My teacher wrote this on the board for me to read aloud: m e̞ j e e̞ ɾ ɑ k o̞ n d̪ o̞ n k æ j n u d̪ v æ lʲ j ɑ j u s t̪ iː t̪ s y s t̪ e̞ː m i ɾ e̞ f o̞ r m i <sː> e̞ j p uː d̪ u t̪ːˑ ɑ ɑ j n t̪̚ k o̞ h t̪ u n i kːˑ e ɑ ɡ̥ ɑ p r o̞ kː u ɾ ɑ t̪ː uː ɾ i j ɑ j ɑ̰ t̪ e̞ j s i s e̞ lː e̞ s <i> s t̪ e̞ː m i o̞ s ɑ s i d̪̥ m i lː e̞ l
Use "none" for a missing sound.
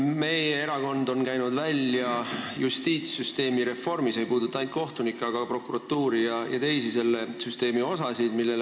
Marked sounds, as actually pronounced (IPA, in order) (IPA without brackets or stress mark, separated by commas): s, y